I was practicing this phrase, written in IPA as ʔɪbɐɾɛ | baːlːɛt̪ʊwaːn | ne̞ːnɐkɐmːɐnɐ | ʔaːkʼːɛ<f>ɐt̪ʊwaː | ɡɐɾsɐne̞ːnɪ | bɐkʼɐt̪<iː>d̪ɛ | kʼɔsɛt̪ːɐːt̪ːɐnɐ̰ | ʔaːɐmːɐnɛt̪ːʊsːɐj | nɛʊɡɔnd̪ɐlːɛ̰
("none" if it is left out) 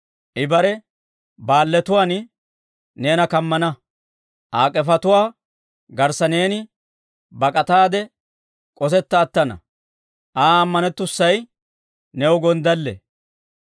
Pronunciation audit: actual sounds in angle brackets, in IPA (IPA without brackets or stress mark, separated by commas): f, aː